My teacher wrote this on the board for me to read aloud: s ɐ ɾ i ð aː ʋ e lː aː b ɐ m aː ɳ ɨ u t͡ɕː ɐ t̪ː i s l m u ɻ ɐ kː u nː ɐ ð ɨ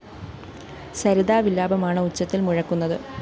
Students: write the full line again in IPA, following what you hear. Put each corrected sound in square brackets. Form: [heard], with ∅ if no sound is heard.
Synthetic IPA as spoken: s ɐ ɾ i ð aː ʋ [i] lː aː b ɐ m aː ɳ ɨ u t͡ɕː ɐ t̪ː i [∅] l m u ɻ ɐ kː u nː ɐ ð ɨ